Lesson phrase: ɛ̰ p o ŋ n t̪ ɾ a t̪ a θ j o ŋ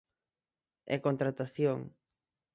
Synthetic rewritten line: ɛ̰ k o n t̪ ɾ a t̪ a θ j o ŋ